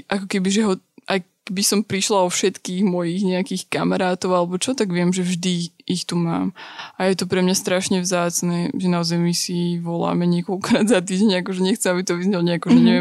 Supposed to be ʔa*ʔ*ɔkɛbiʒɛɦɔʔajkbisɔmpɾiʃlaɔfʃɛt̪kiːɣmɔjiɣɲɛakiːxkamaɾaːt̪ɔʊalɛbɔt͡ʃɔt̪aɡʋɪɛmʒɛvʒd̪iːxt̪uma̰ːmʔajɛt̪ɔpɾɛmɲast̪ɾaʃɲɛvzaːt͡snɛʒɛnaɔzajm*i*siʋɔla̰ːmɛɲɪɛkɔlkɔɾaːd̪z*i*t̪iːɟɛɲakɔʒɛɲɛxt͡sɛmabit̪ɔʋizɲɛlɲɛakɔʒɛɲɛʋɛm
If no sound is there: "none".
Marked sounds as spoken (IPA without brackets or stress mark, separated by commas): k, i, a